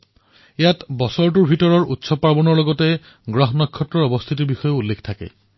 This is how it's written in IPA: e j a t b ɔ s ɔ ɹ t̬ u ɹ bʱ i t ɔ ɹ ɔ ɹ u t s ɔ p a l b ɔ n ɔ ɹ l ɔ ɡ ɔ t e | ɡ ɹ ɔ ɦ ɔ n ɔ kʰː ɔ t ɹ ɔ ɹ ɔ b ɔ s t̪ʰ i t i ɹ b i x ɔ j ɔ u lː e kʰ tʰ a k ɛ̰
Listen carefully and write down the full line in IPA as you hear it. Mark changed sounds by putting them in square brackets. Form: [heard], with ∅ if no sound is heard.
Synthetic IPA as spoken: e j a t b ɔ s ɔ ɹ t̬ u ɹ bʱ i t ɔ ɹ ɔ ɹ u t s ɔ p a [ɹ] b ɔ n ɔ ɹ l ɔ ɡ ɔ t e | ɡ ɹ ɔ ɦ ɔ n ɔ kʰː ɔ t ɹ ɔ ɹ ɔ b ɔ s t̪ʰ i t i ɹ b i x ɔ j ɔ u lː e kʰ tʰ a k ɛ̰

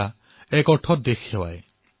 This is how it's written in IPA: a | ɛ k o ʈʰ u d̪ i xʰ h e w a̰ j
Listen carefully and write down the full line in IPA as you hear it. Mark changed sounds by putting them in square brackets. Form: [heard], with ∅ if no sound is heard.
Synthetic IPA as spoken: a | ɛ k [ɔ] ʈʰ [ɔ] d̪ [e] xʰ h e w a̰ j

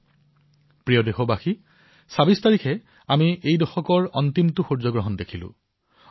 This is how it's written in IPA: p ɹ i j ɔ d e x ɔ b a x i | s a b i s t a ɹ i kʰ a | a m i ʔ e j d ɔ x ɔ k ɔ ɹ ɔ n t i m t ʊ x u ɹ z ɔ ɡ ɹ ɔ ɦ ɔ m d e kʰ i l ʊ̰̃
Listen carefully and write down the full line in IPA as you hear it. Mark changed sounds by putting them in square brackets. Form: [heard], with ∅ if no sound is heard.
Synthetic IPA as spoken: p ɹ i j ɔ d e x ɔ b a x i | s a b i s t a ɹ i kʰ [ɛ] | a m i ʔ e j d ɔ x ɔ k ɔ ɹ ɔ n t i m t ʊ x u ɹ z ɔ ɡ ɹ ɔ ɦ ɔ [n] d e kʰ i l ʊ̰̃

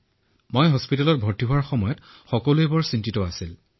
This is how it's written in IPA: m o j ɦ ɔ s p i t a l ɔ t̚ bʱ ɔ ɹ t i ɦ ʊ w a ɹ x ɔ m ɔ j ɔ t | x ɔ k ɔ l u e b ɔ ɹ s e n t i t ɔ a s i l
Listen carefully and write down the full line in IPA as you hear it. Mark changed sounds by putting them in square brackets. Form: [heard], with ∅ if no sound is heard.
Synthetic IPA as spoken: m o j ɦ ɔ s p i t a l ɔ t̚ bʱ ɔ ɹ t i ɦ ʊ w a ɹ x ɔ m ɔ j ɔ t | x ɔ k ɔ l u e b ɔ ɹ s [i] n t i t ɔ a s i l

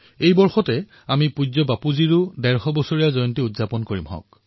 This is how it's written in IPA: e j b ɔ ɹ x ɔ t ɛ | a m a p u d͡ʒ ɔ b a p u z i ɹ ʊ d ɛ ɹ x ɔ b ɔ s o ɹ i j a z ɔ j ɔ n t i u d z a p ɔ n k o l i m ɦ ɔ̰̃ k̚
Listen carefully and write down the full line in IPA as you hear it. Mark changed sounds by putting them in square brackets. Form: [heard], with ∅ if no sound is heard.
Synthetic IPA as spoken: e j b ɔ ɹ x ɔ t ɛ | a m [i] p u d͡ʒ ɔ b a p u z i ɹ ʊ d ɛ ɹ x ɔ b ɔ s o ɹ i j a z ɔ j ɔ n t i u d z a p ɔ n k o [ɹ] i m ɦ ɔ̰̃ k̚

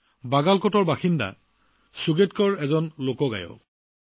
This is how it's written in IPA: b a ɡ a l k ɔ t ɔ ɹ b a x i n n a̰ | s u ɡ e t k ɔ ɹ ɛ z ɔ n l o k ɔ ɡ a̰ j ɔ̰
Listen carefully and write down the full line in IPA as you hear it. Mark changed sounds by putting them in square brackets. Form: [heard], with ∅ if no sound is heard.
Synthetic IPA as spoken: b a ɡ a l k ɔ t ɔ ɹ b a x i n [d] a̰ | s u ɡ e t k ɔ ɹ ɛ z ɔ n l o k ɔ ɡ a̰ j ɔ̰

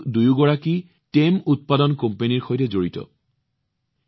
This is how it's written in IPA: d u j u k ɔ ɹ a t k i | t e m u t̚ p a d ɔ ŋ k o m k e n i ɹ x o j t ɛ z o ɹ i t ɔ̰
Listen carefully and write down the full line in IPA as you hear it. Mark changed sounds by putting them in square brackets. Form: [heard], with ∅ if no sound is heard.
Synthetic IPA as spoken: d u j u [ɡ] ɔ ɹ a [∅] k i | t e m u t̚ p a d ɔ [n] k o m [p] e n i ɹ x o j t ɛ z o ɹ i t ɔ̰

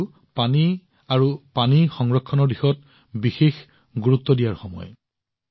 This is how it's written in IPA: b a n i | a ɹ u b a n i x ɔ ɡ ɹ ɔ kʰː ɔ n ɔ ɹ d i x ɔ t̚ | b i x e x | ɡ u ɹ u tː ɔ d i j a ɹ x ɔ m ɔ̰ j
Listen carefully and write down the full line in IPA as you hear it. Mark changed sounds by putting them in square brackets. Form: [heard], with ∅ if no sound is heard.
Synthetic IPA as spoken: [p] a n i | a ɹ u [p] a n i x ɔ [ŋ] ɹ ɔ kʰː ɔ n ɔ ɹ d i x ɔ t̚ | b i x e x | ɡ u ɹ u tː ɔ d i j a ɹ x ɔ m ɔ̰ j

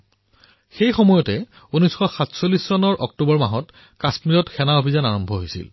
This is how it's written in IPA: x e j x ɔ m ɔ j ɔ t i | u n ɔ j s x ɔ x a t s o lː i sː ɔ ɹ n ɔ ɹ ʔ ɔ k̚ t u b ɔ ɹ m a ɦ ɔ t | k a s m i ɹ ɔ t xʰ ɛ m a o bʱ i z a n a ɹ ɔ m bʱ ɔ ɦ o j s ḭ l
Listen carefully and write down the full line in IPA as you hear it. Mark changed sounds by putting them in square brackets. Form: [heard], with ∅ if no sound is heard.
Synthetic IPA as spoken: x e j x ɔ m ɔ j ɔ t [ɛ] | u n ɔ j s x ɔ x a t s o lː i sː ɔ [∅] n ɔ ɹ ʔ ɔ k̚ t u b ɔ ɹ m a ɦ ɔ t | k a s m i ɹ ɔ t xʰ ɛ [n] a o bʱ i z a n a ɹ ɔ m bʱ ɔ ɦ o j s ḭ l

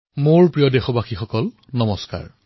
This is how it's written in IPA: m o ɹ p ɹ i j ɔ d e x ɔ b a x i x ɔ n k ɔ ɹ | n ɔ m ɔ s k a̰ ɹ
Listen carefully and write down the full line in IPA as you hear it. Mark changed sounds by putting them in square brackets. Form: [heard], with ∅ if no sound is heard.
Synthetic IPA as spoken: m o ɹ p ɹ i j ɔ d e x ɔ b a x i x ɔ [∅] k ɔ [l] | n ɔ m ɔ s k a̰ ɹ

